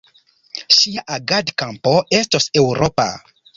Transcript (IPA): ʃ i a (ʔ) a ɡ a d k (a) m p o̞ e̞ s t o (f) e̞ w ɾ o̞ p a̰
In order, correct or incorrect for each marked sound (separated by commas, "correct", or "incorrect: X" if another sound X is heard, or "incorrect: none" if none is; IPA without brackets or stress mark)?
correct, correct, incorrect: s